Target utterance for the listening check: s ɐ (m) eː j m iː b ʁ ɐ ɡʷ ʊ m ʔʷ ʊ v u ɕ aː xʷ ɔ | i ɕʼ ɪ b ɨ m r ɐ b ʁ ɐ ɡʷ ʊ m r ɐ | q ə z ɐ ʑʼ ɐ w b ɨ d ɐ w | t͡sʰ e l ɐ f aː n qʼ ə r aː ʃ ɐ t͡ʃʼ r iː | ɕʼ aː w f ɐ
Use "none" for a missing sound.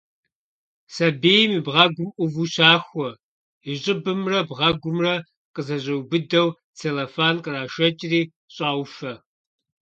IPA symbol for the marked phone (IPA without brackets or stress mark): b